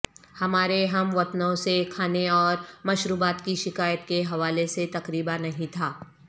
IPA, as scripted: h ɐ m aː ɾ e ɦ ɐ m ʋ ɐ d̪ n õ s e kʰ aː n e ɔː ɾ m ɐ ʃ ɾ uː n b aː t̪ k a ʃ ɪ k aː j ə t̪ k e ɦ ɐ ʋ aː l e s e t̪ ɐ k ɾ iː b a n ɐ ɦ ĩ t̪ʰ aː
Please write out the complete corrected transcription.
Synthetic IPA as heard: h ɐ m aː ɾ e ɦ ɐ m ʋ ɐ t̪ n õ s e kʰ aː n e ɔː ɾ m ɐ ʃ ɾ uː b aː t̪ k i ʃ ɪ k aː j ə t̪ k e ɦ ɐ ʋ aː l e s e t̪ ɐ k ɾ iː b a n ɐ ɦ ĩ t̪ʰ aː